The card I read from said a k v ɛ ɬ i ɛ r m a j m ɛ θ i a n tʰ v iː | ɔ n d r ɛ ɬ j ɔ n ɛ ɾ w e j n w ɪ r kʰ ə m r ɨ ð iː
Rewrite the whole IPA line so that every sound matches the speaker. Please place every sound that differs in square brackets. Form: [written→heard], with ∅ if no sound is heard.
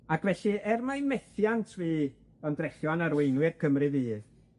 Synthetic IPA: a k v ɛ ɬ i ɛ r m a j m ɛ θ [i→j] a n tʰ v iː | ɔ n d r ɛ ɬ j ɔ n [ɛ→a] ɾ w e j n w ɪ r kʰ ə m r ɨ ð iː